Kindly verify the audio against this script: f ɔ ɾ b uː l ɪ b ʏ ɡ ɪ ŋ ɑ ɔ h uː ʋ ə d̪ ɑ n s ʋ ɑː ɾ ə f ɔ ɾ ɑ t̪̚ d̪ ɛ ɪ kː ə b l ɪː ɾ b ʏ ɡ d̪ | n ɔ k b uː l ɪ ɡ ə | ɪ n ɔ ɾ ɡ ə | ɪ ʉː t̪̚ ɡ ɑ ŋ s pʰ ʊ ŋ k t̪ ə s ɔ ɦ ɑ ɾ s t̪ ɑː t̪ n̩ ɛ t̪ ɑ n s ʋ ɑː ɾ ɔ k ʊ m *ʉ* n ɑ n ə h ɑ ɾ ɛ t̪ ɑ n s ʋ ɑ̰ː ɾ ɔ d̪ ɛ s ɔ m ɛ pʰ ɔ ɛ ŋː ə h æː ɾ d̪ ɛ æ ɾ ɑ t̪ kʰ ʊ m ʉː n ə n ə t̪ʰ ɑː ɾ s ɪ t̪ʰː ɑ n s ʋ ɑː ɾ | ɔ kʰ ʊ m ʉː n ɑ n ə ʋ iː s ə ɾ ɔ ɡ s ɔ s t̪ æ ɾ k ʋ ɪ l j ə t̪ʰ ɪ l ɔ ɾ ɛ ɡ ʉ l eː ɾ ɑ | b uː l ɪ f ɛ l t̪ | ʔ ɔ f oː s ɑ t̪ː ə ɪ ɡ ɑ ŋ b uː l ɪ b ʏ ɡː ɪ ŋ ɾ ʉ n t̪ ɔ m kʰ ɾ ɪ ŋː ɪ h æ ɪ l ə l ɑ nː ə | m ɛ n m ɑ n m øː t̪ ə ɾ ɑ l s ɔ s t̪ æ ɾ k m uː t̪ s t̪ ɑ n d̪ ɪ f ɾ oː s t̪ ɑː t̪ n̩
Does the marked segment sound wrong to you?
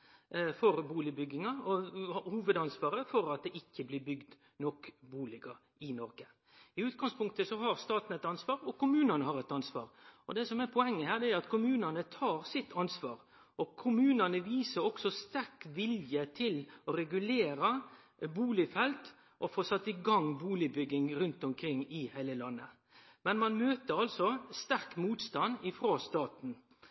yes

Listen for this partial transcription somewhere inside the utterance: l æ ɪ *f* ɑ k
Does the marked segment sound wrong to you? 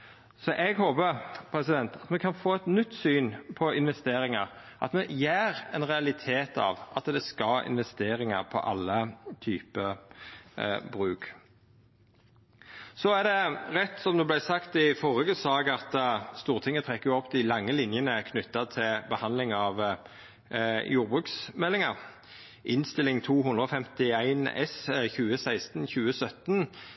yes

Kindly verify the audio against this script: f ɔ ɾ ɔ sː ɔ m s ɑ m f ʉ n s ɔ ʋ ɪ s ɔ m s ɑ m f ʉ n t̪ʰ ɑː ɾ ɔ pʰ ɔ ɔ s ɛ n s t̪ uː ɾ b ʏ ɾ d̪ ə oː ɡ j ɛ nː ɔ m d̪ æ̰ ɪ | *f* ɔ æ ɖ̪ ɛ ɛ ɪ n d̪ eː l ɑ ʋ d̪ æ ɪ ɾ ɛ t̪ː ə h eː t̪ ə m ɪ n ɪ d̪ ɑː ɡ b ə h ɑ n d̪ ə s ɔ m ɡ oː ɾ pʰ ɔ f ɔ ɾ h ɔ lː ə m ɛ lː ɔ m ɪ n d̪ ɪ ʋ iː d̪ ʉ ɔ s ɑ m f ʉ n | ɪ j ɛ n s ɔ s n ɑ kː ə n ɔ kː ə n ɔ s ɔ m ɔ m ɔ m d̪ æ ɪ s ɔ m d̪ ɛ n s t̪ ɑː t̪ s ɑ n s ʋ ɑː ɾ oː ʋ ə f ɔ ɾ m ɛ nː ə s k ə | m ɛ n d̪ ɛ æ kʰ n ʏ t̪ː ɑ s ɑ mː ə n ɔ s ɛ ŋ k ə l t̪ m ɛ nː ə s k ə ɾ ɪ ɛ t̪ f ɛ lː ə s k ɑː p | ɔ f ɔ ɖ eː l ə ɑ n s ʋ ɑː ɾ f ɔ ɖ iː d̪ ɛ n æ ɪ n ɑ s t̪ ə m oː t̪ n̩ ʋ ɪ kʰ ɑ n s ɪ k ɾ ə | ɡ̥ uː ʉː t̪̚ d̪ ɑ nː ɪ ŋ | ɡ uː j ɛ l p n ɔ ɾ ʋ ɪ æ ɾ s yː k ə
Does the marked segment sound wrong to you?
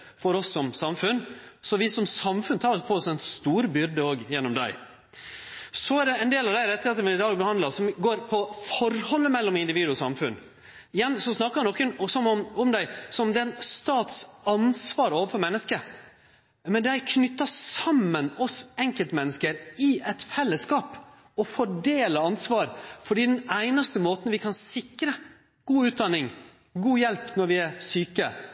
yes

